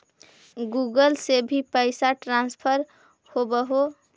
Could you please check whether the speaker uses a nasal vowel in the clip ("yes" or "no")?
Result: no